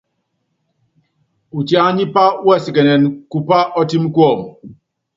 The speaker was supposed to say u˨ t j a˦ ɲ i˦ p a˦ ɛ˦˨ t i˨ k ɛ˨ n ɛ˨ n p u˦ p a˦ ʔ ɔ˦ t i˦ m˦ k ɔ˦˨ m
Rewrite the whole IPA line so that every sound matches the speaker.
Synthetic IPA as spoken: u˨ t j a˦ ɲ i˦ p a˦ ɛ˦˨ s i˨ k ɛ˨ n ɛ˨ n k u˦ p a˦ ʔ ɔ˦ t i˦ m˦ k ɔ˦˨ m

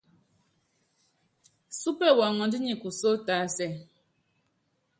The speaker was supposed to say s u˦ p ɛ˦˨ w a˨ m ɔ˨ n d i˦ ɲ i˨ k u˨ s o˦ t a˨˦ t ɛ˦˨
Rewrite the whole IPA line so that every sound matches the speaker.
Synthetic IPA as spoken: s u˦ p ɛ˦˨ w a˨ ŋ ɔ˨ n d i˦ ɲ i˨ k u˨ s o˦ t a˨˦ s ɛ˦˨

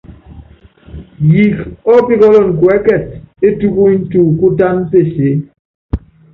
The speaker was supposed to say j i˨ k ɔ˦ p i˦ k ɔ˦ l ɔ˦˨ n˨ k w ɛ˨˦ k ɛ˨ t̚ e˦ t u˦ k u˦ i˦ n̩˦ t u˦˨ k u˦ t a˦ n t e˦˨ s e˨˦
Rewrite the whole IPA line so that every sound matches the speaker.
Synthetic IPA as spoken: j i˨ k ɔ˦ p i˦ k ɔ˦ l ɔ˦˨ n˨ k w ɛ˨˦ k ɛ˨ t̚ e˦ t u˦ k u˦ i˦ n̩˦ t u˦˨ k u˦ t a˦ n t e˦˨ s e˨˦

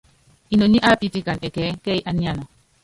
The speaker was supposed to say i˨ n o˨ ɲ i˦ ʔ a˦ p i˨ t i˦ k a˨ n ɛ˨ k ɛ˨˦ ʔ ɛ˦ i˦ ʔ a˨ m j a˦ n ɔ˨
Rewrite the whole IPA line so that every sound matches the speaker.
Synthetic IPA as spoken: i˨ n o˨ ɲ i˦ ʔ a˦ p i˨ t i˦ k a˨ n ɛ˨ k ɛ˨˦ k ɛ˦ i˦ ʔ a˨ n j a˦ n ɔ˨

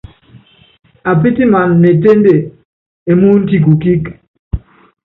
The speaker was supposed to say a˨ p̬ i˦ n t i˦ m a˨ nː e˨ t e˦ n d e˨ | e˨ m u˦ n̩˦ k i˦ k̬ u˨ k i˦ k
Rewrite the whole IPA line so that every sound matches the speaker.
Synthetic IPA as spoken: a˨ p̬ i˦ t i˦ m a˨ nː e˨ t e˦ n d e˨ | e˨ m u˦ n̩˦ t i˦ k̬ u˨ k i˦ k

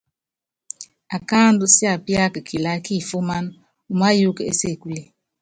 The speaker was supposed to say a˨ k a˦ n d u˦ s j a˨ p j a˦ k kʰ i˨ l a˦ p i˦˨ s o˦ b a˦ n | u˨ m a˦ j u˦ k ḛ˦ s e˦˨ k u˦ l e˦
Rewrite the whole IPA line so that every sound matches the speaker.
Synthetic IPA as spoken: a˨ k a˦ n d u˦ s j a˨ p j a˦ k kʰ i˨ l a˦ k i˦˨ f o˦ m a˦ n | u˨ m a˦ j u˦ k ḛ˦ s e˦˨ k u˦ l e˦

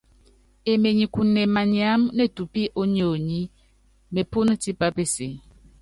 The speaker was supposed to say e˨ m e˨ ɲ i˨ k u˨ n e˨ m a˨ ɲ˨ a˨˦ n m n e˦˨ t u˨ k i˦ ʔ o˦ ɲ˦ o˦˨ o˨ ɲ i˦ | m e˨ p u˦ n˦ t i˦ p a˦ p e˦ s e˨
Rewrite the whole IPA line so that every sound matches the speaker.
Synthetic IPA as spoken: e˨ m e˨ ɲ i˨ k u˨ n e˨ m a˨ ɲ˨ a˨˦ m n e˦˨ t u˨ p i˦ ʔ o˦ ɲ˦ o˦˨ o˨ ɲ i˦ | m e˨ p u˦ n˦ t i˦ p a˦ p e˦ s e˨

